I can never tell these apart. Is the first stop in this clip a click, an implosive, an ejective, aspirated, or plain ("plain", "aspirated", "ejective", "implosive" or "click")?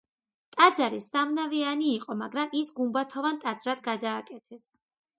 ejective